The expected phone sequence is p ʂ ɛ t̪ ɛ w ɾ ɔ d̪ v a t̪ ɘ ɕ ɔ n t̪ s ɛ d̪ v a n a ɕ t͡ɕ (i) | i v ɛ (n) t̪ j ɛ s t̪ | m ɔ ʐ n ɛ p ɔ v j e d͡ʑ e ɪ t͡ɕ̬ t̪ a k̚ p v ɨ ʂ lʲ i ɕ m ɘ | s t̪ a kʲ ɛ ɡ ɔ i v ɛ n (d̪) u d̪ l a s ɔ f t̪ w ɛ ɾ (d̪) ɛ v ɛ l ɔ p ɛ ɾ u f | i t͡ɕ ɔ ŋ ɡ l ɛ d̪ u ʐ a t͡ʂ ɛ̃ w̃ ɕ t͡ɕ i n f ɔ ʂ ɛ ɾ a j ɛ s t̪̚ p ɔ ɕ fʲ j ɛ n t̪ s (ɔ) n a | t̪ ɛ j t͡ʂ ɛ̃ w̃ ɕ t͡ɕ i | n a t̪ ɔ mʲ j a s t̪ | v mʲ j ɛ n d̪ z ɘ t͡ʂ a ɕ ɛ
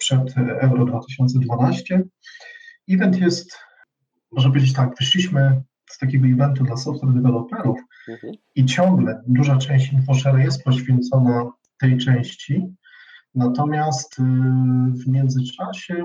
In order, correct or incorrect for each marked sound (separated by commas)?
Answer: incorrect, correct, incorrect, correct, correct